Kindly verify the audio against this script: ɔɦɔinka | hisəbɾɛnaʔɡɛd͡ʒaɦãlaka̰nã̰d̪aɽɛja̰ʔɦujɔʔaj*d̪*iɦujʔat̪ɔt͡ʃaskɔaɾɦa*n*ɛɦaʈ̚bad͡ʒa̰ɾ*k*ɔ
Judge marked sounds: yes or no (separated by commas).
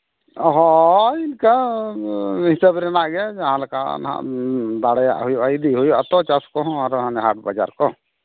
yes, yes, yes